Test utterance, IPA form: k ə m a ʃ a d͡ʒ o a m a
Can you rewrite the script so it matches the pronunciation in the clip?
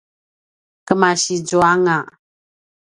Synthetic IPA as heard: k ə m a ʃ i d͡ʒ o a ŋ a